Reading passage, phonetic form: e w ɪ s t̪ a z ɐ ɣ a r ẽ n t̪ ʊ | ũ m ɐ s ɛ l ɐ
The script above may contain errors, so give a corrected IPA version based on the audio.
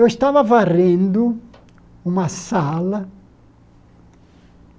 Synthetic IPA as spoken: e w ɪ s t̪ a v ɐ v a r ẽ n d̪ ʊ | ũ m ɐ s a l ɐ